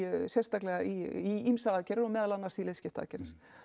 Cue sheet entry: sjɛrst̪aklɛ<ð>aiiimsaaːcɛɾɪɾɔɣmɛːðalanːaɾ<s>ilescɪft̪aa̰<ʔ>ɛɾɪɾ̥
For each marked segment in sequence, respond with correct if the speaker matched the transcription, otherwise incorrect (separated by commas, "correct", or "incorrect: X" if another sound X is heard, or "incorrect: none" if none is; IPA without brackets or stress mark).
incorrect: ɣ, correct, incorrect: c